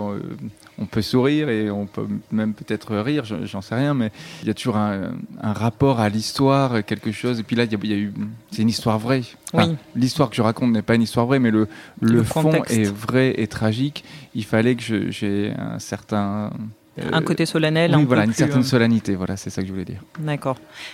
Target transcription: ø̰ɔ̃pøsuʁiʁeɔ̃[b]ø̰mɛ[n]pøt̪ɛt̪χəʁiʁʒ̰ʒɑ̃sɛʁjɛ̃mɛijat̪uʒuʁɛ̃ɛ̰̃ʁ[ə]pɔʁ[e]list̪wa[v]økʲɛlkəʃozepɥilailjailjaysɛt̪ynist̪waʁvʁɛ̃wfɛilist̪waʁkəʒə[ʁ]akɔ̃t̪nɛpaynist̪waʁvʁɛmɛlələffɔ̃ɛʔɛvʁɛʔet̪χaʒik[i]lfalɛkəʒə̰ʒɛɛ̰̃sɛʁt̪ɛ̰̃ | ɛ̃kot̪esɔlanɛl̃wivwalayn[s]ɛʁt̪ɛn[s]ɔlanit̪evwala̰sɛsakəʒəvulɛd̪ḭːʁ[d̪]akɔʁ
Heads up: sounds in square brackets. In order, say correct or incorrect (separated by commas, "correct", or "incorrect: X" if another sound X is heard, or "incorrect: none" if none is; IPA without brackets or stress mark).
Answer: incorrect: p, incorrect: m, incorrect: a, incorrect: a, incorrect: ʁ, correct, correct, correct, correct, correct